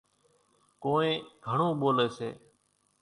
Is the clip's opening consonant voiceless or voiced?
voiceless